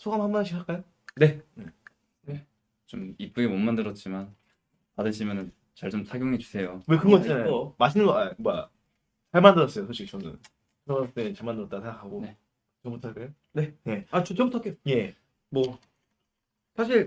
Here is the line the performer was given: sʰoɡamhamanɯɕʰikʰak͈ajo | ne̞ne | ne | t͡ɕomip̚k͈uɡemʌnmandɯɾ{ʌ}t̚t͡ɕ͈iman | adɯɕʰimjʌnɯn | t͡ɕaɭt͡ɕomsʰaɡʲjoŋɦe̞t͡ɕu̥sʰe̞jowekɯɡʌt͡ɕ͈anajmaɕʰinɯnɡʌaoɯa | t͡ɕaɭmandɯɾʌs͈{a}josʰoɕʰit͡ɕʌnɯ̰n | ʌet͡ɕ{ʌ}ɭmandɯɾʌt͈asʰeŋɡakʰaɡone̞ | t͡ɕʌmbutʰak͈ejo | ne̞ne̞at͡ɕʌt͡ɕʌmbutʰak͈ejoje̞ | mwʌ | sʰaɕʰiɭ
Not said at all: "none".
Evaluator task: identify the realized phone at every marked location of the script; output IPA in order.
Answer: ʌ, ʌ, a

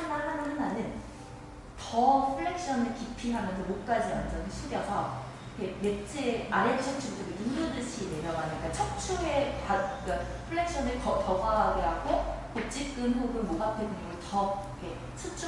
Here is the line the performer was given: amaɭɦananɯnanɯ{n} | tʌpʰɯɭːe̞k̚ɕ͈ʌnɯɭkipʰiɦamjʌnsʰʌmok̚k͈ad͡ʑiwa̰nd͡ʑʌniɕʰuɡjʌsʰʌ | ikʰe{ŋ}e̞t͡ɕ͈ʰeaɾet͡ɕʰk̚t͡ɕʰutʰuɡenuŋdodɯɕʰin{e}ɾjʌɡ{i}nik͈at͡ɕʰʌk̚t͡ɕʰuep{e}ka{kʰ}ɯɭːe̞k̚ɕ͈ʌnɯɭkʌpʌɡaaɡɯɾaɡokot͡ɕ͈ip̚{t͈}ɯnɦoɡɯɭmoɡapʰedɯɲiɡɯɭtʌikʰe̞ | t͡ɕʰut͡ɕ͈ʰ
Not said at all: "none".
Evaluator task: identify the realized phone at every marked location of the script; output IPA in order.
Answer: n, m, e, a, a, pʰ, k͈

